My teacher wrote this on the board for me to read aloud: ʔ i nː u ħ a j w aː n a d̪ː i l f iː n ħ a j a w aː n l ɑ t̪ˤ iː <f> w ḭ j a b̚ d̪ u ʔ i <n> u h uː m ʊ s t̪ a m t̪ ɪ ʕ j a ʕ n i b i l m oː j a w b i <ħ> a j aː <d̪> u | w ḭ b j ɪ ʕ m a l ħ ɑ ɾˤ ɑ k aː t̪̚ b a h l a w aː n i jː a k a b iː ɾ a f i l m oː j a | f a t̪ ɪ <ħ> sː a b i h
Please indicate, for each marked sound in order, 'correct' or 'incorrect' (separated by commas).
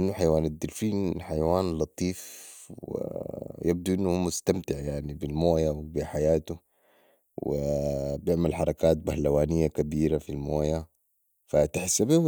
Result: correct, incorrect, correct, incorrect, correct